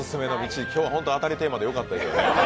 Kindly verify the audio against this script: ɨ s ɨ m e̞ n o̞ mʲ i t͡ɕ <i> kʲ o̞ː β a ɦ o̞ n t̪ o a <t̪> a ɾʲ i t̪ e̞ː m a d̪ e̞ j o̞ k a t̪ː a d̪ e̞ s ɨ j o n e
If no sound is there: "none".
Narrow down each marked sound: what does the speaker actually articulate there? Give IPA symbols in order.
i, t̪

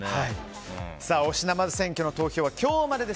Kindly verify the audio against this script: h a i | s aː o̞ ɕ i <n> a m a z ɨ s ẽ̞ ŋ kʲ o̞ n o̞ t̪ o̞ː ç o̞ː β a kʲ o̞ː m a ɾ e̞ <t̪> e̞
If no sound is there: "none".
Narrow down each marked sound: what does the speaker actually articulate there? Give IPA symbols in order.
n, d̪

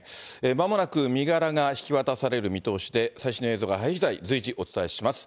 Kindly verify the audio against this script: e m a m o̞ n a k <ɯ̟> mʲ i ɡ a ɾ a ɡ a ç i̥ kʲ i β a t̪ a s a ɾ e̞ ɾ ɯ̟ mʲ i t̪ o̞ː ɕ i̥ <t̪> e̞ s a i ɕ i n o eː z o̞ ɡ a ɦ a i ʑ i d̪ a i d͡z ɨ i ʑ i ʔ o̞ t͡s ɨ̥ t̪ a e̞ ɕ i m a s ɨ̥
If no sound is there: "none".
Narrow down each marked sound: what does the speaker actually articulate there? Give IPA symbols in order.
ɯ̟, d̪

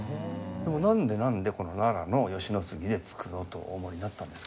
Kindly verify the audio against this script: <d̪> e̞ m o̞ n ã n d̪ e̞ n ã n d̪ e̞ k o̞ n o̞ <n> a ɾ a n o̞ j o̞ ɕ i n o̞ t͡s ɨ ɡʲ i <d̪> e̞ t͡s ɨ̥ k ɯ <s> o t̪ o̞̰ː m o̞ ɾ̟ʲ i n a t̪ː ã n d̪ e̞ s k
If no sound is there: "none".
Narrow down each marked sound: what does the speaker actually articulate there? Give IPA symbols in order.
d̪, n, d̪, none

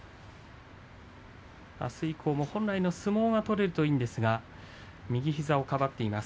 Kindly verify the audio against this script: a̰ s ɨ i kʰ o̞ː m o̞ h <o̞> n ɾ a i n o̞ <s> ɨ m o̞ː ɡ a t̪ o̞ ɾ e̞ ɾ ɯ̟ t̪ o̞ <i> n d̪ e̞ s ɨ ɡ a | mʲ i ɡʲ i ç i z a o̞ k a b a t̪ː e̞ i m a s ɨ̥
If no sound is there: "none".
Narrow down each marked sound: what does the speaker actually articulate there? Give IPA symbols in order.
õ̞, s, iː

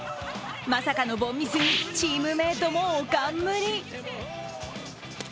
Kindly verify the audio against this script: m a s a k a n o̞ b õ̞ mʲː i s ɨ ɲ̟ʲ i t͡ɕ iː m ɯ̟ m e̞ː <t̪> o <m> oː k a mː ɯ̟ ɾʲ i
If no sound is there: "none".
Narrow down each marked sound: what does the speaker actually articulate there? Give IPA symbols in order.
t̪, m

